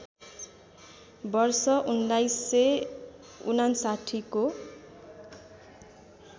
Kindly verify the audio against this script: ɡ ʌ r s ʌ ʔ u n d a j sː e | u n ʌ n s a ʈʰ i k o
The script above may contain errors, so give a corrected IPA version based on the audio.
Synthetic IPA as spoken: b ʌ r s ʌ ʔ u n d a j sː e | u n a n s a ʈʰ i k o